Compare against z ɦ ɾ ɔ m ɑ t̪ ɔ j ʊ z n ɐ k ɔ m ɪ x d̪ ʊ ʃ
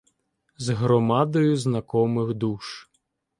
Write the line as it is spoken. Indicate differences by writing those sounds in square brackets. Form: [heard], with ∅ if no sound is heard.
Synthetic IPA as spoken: z ɦ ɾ ɔ m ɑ [d̪] ɔ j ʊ z n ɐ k ɔ m ɪ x d̪ [u] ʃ